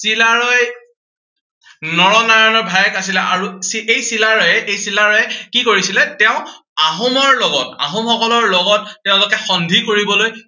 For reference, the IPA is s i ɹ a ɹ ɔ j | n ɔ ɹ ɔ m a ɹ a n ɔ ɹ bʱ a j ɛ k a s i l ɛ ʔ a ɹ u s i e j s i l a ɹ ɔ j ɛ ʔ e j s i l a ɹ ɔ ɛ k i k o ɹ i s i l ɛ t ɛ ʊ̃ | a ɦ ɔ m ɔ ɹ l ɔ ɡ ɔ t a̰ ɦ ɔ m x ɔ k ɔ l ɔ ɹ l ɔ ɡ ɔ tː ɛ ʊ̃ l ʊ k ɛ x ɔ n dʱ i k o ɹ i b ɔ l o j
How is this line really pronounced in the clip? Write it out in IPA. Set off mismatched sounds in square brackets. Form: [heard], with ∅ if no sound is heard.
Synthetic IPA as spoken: s i [l] a ɹ ɔ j | n ɔ ɹ ɔ [n] a ɹ a n ɔ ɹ bʱ a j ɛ k a s i l ɛ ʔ a ɹ u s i e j s i l a ɹ ɔ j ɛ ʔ e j s i l a ɹ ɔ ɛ k i k o ɹ i s i l ɛ t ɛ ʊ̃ | a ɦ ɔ m ɔ ɹ l ɔ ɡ ɔ t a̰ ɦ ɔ m x ɔ k ɔ l ɔ ɹ l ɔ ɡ ɔ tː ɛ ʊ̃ l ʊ k ɛ x ɔ n dʱ i k o ɹ i b ɔ l o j